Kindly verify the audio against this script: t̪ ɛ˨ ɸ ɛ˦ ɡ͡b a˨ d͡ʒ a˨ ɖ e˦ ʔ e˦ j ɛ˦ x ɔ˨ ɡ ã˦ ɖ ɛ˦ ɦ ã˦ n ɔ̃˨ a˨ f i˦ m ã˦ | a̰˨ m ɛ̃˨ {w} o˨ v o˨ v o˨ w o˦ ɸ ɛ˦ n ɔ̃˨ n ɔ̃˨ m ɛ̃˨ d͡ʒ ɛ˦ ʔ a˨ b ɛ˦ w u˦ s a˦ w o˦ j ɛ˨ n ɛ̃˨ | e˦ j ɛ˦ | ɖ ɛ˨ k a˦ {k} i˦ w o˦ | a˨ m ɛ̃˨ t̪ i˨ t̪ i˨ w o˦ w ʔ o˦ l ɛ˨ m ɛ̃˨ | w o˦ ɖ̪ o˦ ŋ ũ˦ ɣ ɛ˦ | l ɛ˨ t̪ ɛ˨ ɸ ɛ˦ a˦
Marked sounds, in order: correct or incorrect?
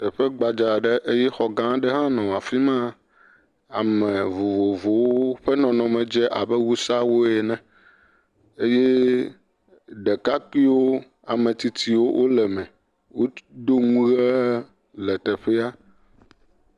incorrect: v, correct

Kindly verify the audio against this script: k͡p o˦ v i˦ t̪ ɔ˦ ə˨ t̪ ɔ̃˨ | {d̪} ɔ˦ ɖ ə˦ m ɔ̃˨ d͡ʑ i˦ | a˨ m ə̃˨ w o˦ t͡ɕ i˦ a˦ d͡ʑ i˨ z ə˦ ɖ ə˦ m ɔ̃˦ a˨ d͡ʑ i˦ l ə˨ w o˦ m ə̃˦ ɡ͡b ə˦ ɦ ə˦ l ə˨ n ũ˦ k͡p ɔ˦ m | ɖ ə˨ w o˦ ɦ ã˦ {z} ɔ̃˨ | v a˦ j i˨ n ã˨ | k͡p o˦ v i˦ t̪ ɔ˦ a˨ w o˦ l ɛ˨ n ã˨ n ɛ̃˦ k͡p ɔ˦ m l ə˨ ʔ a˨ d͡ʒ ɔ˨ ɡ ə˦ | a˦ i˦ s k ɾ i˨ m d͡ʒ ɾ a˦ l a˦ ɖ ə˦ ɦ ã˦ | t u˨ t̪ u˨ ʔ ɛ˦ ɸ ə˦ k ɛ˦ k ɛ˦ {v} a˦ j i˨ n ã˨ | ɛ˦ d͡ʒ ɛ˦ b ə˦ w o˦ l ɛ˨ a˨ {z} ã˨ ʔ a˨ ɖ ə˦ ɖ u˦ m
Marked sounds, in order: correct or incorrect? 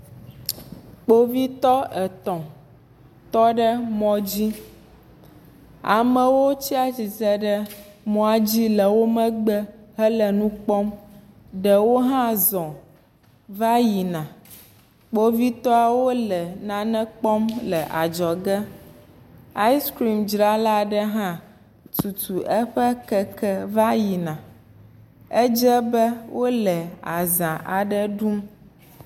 incorrect: t̪, correct, correct, correct

